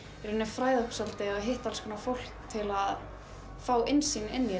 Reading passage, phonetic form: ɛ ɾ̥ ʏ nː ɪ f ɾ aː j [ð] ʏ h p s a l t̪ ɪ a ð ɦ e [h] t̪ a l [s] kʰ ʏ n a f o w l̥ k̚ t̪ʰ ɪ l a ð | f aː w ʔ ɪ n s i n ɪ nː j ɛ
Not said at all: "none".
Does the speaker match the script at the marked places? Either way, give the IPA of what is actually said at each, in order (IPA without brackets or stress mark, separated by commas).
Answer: ð, h, s